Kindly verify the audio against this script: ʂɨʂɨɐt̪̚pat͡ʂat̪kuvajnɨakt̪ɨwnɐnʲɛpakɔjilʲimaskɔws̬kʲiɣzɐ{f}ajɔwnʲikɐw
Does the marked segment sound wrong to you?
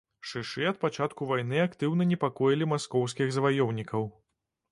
yes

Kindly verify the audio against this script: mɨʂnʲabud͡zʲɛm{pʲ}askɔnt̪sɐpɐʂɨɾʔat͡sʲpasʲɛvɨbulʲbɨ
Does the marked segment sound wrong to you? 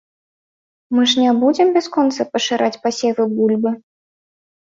yes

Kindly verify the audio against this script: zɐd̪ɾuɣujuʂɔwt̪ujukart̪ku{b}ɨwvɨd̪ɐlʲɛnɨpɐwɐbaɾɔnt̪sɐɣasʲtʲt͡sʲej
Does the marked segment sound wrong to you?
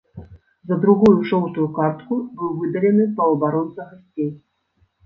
no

